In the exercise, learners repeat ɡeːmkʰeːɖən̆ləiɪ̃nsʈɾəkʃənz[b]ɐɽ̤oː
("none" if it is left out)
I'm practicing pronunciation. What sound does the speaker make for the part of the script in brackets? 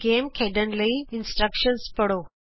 p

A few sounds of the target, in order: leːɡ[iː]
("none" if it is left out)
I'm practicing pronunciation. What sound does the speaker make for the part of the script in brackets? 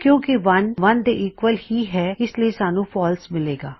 aː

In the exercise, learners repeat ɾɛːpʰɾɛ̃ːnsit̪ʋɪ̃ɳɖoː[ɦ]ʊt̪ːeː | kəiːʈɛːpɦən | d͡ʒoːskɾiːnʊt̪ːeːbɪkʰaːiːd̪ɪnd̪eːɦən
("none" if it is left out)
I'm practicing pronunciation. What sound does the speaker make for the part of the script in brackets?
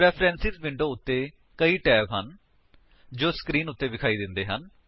none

